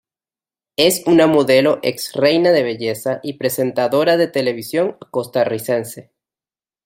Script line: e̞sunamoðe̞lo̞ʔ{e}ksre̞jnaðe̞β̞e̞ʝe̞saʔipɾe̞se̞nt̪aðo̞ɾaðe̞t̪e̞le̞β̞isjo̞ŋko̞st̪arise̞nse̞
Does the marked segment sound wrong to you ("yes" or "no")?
no